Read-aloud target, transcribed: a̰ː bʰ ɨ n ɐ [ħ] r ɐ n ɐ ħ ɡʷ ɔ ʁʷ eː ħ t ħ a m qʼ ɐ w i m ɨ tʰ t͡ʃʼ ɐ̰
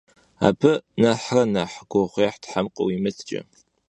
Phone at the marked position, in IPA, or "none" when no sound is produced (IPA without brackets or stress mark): ħ